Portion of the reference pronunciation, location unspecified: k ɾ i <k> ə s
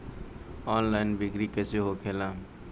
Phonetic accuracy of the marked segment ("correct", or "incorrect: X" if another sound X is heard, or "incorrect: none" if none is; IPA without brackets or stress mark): correct